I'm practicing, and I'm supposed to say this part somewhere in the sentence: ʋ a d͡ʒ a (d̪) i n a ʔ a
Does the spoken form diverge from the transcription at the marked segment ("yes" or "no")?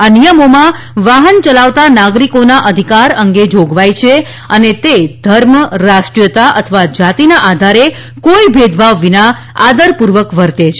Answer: yes